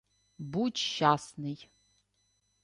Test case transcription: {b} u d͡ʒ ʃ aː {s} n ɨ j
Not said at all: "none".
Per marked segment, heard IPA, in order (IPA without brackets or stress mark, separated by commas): b, s